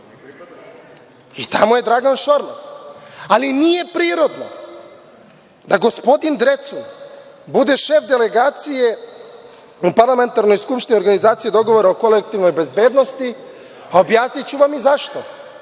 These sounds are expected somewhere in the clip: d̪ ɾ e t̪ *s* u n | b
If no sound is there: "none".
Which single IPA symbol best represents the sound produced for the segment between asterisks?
s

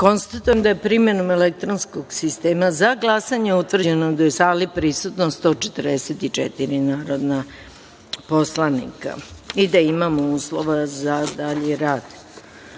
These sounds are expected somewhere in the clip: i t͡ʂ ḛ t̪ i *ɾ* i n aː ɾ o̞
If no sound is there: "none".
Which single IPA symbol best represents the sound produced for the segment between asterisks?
ɾ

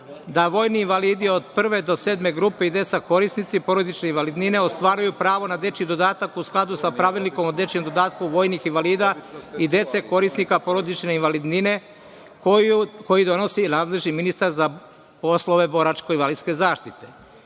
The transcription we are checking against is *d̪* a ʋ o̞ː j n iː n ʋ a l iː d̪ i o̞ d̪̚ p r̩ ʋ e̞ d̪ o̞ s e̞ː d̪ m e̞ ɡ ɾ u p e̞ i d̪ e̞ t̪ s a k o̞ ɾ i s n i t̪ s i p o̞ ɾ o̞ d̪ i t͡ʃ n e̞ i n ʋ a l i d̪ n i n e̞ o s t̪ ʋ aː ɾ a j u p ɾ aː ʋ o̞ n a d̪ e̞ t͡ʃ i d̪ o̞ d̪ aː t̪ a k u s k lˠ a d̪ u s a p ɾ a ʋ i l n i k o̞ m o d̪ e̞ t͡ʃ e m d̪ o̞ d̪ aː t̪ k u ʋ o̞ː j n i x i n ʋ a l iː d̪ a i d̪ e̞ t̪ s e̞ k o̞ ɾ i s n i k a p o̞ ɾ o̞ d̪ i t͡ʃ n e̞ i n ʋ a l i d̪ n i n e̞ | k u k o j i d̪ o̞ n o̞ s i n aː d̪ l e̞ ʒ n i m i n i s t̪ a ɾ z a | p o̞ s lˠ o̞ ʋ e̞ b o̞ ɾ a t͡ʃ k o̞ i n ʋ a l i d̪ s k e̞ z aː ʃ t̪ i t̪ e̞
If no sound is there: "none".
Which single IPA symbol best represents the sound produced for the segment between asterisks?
d̪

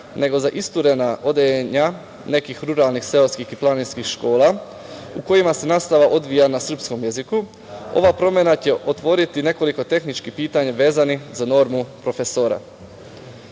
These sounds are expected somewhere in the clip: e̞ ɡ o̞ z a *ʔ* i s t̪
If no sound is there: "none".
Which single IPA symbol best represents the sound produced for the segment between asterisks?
ʔ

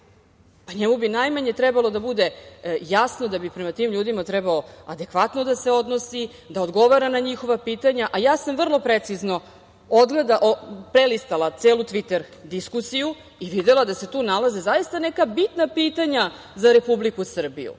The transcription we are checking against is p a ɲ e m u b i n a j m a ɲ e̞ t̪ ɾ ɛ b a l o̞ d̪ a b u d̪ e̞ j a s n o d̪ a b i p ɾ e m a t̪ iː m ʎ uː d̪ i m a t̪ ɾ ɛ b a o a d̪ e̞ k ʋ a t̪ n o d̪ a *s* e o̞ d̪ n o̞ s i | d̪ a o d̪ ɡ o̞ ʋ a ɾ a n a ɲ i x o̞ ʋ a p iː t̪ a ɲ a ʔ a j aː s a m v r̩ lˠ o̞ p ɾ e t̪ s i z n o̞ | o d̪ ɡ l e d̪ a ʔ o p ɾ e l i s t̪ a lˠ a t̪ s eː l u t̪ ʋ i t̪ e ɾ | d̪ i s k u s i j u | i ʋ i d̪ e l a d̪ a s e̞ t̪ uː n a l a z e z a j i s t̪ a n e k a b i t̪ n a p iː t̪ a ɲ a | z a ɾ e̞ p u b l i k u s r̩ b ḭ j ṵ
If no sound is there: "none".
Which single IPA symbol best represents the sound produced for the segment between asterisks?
s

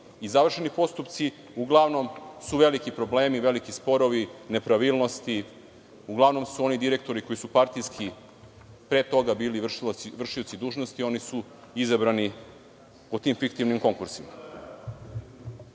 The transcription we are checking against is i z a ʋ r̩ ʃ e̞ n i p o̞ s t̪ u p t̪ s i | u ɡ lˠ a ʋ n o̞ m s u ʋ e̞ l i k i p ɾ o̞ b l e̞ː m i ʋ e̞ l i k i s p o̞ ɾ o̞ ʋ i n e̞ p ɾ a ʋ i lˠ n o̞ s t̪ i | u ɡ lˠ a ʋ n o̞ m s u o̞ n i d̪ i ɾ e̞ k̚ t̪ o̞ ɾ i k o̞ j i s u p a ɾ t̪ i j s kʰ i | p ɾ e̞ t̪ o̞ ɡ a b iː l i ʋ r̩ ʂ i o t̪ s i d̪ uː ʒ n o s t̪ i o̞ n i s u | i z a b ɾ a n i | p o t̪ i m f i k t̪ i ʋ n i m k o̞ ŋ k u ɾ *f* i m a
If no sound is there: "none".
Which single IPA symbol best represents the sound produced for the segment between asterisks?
s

